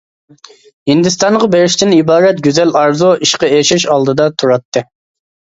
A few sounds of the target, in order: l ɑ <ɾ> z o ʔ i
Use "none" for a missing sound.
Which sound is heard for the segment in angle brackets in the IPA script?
ɾ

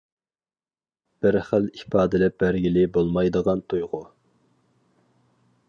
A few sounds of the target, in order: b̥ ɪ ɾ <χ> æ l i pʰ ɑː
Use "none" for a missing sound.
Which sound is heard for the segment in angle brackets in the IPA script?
χ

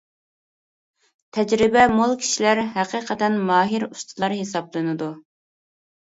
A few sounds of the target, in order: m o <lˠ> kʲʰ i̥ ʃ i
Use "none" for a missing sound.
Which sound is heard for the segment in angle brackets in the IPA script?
lˠ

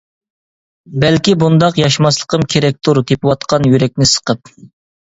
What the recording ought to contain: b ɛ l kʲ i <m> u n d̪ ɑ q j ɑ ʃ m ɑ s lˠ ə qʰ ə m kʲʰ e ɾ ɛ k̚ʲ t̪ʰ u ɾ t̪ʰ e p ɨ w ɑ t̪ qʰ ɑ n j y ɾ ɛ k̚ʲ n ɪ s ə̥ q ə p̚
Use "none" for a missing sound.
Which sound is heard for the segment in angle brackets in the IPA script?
b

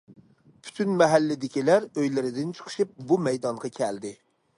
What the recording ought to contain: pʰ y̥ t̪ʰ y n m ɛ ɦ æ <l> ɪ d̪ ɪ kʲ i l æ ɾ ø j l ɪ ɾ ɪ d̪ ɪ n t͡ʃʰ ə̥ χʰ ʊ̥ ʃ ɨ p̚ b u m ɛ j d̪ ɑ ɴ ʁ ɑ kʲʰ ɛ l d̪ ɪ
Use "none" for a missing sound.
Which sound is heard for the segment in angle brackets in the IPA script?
lː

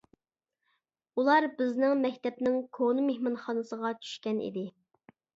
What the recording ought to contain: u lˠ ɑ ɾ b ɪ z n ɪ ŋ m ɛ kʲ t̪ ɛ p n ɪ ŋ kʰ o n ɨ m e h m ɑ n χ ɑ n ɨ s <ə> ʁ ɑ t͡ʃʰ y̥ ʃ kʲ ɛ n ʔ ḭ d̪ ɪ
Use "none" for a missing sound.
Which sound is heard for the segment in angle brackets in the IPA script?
ə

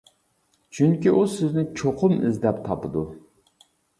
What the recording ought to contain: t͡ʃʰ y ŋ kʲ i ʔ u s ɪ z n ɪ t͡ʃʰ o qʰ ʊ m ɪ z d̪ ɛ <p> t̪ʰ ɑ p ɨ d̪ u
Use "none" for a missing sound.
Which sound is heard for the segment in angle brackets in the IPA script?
p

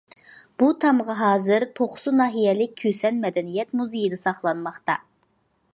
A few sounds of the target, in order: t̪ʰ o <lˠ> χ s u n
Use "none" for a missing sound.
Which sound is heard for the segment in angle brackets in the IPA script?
none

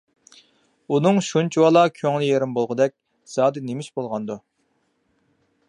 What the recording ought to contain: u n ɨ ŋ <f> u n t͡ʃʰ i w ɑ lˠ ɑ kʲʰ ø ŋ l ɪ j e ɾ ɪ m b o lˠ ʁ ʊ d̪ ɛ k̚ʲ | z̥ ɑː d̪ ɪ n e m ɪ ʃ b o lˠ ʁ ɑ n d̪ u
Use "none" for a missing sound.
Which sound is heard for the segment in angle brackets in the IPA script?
ʃ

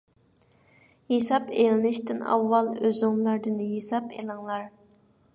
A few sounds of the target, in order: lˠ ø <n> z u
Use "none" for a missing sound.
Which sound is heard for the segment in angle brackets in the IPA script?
none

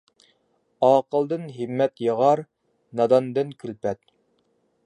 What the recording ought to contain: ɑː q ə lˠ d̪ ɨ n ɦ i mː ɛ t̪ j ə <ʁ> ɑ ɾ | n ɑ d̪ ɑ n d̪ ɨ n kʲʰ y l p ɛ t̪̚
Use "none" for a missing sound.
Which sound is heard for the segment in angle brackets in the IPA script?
ʁ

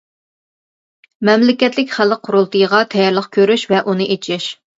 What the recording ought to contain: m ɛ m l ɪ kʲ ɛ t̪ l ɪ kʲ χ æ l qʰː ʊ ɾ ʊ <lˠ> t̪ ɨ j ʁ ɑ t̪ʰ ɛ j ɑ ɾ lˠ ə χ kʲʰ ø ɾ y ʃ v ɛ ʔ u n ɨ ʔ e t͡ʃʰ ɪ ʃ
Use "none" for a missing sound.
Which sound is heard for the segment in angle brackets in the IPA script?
lˠ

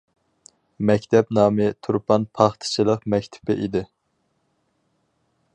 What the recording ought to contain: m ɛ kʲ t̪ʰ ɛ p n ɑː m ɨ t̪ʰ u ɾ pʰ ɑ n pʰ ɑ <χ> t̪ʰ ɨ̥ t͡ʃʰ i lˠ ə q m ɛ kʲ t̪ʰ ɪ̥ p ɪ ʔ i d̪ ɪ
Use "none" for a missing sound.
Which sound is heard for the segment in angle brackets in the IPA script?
χ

